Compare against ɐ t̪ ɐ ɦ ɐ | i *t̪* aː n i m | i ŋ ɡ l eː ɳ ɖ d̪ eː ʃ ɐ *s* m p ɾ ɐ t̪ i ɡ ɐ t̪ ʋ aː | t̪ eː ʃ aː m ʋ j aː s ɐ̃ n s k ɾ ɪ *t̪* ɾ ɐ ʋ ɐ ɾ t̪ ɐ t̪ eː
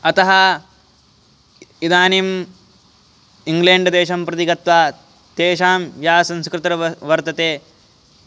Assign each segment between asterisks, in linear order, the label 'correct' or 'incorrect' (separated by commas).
incorrect, incorrect, correct